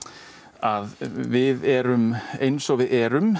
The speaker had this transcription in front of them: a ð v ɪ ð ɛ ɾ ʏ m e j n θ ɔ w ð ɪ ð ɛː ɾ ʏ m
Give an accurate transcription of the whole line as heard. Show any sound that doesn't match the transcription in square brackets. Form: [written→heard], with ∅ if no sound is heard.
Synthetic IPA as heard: a ð v ɪ ð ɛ ɾ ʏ m e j n [θ→s] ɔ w [ð→v] ɪ ð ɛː ɾ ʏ m